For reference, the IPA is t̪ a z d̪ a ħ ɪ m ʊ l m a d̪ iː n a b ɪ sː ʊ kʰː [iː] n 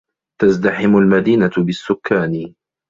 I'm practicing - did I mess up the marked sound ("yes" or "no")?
yes